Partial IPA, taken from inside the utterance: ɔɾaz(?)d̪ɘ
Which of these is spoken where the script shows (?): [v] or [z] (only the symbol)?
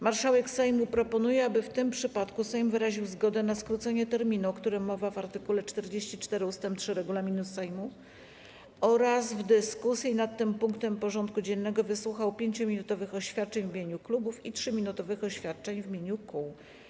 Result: v